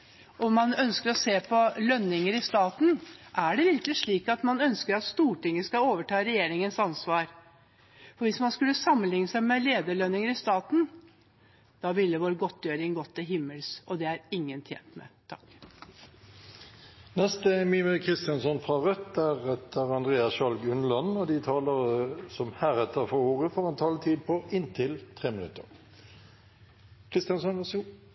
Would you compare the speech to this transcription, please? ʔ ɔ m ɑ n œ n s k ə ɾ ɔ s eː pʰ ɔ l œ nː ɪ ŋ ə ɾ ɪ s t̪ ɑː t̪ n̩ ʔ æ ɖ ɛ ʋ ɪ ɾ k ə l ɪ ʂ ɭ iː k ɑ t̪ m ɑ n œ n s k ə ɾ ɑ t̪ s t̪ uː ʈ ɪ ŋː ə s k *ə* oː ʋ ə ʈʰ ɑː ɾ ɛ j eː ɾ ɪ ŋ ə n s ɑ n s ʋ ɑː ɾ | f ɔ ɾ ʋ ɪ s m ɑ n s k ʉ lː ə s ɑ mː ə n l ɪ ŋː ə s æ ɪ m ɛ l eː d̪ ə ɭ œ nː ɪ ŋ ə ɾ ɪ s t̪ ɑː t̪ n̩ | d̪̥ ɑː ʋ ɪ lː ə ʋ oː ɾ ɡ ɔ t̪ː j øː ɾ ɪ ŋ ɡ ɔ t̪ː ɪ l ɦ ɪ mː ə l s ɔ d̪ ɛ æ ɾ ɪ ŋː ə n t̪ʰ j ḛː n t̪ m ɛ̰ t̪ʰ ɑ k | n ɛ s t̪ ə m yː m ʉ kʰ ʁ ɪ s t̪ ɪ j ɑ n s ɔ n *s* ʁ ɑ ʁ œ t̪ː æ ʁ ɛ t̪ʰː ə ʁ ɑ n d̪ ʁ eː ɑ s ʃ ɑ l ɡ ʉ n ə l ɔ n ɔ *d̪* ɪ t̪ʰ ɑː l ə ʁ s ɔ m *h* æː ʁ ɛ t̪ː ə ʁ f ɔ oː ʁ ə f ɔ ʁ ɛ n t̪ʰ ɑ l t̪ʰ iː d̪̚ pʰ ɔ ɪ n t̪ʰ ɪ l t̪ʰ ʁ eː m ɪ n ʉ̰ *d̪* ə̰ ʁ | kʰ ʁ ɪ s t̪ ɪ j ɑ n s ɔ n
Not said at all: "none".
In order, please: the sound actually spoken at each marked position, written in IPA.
ɑ, f, d̪, h, t̪

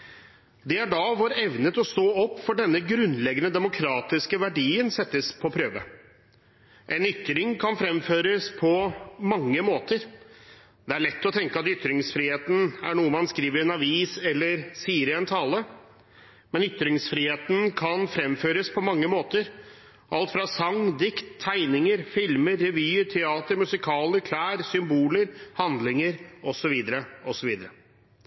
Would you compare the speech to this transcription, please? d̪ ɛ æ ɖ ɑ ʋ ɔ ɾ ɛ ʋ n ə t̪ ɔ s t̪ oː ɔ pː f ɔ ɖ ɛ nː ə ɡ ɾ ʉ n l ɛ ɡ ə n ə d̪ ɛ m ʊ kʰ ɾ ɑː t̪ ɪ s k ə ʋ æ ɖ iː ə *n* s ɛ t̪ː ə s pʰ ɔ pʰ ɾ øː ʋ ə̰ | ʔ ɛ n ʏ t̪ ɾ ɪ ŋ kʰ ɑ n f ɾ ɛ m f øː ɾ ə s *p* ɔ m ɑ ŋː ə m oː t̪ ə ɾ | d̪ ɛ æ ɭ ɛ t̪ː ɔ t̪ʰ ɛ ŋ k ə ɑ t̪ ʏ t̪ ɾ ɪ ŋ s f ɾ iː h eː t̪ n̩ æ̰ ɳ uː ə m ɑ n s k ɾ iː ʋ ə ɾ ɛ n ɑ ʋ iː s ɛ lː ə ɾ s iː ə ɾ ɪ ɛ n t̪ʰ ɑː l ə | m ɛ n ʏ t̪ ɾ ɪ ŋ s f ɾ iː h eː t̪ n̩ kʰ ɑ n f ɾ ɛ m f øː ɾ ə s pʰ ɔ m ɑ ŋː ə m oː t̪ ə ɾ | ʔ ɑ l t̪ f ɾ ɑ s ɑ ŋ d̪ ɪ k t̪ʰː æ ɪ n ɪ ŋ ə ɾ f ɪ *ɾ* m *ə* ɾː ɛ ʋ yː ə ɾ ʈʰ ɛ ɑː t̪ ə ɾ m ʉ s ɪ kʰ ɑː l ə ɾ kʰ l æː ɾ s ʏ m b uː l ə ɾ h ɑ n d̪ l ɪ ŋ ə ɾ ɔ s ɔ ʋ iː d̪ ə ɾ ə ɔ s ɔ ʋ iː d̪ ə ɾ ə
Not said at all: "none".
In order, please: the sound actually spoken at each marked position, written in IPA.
n, pʰ, l, ə

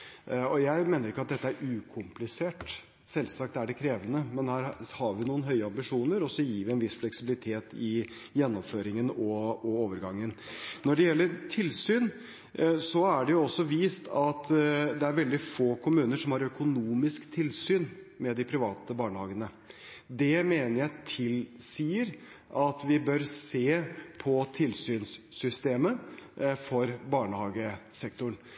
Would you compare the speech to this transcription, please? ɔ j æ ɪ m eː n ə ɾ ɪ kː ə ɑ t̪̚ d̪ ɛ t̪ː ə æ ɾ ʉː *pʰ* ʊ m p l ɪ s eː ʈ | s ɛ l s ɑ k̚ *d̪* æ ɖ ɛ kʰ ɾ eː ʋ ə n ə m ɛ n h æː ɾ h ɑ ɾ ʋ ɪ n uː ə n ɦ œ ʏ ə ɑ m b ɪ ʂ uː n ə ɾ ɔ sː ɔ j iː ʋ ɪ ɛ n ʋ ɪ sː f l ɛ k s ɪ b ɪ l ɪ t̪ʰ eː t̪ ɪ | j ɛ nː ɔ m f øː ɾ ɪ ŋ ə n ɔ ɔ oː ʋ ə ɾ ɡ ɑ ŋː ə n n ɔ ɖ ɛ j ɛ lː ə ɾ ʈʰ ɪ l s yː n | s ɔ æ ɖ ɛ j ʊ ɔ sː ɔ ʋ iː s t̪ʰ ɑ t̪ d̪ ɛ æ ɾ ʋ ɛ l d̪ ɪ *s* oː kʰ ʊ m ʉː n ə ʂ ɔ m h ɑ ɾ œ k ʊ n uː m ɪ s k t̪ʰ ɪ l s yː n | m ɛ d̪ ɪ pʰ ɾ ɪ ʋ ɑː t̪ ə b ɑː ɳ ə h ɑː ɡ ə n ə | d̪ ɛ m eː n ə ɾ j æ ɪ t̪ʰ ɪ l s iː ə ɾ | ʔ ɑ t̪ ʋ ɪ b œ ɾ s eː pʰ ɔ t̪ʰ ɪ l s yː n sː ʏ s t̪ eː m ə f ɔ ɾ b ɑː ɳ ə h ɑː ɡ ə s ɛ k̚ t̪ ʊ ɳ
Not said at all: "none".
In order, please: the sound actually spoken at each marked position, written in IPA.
kʰ, t̪, f

